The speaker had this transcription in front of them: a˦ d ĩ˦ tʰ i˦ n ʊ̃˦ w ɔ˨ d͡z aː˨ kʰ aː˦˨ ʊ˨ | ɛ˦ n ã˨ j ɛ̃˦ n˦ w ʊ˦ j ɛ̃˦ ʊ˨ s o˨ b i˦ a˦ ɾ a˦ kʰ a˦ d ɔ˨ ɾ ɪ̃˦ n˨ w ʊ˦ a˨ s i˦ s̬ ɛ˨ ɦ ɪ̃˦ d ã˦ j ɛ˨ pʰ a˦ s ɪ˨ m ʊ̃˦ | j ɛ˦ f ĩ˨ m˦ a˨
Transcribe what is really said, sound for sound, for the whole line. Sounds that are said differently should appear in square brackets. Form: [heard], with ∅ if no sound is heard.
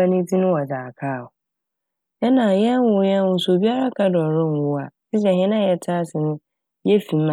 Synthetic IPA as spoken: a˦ [n] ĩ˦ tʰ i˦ n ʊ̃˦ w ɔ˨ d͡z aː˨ kʰ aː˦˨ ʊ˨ | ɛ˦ n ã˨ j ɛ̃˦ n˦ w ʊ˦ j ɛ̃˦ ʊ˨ s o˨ b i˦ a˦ ɾ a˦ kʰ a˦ d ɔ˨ ɾ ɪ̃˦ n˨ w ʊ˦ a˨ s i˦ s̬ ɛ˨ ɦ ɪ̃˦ [n] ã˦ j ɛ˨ [tʰ] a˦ s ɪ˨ [n] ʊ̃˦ | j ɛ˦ f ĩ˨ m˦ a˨